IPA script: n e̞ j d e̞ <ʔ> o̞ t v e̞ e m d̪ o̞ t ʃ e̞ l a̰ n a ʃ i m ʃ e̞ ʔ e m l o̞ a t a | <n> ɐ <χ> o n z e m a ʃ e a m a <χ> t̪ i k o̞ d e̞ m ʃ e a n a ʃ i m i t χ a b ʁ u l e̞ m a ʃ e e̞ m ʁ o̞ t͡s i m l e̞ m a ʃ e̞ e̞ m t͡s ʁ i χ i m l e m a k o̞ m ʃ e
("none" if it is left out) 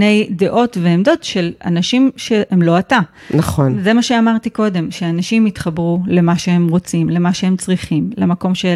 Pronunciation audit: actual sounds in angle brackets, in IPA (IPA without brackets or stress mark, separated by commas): ʔ, n, χ, ʁ